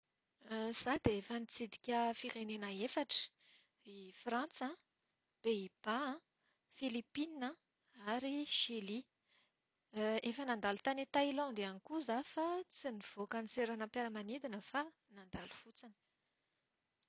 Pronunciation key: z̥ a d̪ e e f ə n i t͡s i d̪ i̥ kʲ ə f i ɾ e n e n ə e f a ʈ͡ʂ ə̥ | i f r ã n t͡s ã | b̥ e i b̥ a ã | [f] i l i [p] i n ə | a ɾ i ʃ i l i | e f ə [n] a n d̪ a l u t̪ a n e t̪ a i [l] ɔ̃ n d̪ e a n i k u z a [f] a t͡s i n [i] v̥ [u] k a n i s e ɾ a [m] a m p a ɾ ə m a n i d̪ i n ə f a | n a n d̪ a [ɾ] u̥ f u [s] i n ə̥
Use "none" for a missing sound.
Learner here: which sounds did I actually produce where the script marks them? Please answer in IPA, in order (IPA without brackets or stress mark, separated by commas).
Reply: f, p, n, l, f, i, o, n, l, t͡s